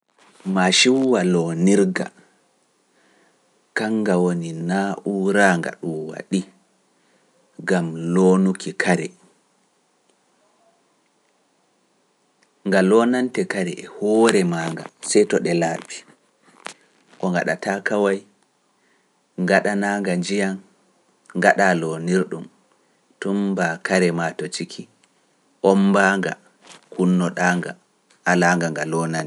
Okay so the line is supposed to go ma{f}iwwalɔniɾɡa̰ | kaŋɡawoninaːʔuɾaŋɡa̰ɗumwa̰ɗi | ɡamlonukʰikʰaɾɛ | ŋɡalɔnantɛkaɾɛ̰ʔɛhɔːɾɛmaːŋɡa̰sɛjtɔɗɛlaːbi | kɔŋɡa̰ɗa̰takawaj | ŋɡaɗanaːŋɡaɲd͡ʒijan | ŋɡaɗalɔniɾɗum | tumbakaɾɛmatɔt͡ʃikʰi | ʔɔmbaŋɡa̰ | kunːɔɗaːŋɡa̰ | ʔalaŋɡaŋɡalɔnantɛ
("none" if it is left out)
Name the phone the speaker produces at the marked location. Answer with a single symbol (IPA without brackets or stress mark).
ʃ